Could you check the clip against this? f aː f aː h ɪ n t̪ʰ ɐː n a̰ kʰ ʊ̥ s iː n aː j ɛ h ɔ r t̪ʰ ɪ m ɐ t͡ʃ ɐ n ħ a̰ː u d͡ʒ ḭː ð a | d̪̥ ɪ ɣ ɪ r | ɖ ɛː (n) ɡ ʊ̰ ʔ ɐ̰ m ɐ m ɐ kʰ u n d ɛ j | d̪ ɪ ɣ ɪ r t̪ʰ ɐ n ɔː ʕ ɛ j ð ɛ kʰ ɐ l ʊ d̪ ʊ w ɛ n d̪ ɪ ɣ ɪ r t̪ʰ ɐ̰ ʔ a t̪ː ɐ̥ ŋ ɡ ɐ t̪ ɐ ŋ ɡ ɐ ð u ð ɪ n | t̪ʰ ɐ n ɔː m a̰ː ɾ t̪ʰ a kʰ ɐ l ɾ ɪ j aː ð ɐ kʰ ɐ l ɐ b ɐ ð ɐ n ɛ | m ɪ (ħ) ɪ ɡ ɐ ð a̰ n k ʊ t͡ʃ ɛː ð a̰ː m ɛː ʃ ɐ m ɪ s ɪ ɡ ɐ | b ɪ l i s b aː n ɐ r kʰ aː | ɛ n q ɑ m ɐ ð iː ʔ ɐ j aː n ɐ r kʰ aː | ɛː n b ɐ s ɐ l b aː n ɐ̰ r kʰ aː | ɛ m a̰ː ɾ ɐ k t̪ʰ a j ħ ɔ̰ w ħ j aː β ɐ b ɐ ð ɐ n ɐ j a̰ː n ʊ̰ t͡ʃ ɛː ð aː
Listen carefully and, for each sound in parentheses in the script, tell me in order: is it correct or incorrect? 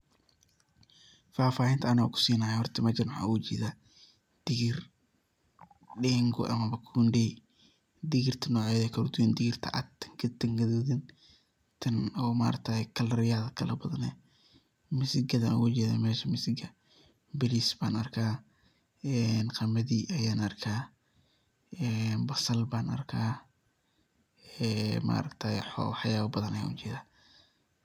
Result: incorrect, incorrect

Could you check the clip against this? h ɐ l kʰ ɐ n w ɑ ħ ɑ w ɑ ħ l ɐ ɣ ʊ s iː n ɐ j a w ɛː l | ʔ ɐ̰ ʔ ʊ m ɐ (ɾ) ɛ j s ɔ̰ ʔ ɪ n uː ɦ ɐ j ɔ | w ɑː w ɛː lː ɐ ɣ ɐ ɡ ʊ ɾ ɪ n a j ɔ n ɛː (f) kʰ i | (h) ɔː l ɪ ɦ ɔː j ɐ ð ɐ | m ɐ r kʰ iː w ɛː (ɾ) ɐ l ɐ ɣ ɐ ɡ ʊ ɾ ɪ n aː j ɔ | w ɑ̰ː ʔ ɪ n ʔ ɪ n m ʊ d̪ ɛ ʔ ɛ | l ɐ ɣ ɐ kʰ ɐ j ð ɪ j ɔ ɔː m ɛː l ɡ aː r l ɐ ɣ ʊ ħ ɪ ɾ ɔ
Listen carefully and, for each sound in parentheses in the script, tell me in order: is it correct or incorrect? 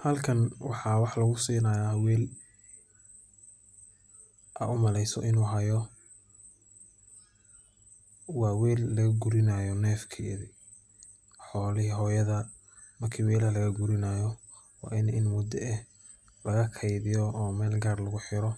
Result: incorrect, correct, incorrect, incorrect

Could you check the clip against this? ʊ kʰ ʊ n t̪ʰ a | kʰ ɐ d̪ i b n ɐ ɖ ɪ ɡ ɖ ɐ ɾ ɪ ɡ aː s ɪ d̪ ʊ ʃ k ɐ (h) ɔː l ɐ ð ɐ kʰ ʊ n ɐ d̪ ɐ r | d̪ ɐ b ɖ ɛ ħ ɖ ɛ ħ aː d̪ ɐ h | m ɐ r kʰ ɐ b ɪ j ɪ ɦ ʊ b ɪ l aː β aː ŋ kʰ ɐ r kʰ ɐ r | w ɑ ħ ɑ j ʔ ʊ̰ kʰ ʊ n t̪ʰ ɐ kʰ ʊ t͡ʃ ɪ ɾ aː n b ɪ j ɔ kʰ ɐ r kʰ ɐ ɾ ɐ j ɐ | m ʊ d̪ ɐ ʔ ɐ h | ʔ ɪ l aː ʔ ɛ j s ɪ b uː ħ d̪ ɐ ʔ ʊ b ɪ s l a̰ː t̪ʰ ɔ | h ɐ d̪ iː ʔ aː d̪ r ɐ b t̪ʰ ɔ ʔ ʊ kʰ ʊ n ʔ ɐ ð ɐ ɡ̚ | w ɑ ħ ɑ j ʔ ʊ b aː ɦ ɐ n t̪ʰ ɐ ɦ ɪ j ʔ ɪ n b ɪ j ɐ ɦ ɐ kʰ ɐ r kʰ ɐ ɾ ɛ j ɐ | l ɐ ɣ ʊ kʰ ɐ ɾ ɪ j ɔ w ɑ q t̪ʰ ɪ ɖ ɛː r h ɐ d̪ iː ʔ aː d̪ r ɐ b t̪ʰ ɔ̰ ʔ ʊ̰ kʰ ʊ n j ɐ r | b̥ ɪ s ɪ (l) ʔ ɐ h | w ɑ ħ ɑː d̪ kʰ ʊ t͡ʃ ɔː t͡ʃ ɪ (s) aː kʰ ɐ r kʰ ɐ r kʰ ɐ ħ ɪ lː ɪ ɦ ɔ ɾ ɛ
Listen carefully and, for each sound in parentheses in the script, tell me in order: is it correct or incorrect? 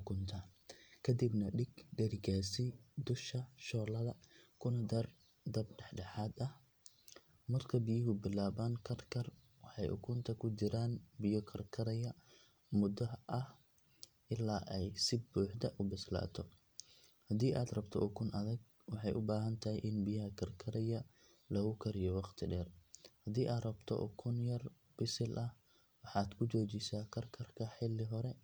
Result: incorrect, correct, correct

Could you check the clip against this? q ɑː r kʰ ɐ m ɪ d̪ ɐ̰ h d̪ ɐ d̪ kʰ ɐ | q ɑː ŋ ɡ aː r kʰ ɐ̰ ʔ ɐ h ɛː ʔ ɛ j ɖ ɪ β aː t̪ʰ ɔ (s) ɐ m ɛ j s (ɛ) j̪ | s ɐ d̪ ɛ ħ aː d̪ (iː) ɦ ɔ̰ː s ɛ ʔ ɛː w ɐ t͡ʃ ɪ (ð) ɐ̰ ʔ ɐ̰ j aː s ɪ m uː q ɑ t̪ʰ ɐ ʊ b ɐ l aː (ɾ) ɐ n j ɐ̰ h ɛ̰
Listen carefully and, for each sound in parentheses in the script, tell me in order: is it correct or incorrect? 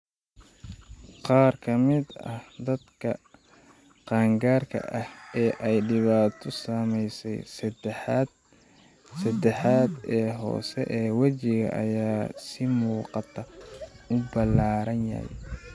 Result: correct, correct, incorrect, incorrect, correct

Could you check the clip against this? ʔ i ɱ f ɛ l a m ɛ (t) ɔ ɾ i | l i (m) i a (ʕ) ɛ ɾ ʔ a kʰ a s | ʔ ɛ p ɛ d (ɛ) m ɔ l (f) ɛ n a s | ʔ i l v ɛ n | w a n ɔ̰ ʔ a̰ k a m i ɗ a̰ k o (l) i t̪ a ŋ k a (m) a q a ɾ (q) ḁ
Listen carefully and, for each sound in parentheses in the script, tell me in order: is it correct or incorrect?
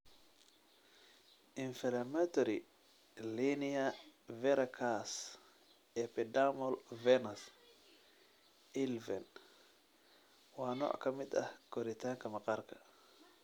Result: correct, incorrect, incorrect, incorrect, incorrect, incorrect, correct, incorrect

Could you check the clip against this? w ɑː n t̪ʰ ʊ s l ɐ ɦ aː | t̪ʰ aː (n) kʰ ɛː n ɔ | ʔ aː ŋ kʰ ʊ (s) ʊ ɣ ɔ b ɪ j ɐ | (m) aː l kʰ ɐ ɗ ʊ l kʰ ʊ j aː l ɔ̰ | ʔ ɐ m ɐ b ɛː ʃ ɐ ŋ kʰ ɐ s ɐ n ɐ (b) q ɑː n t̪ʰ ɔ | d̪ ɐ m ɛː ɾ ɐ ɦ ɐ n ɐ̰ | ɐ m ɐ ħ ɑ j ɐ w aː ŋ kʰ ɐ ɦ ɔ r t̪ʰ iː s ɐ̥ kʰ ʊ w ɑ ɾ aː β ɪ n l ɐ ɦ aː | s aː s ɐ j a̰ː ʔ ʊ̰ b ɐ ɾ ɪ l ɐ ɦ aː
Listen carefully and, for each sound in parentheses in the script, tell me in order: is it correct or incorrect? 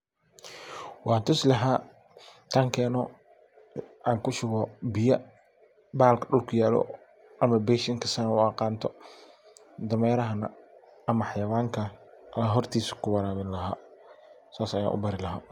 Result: incorrect, incorrect, incorrect, incorrect

